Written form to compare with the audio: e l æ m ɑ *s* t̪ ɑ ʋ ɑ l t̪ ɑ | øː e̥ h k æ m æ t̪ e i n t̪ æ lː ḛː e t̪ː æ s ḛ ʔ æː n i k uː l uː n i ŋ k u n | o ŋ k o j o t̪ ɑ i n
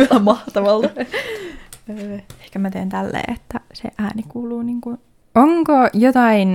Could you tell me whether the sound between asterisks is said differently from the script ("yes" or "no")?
yes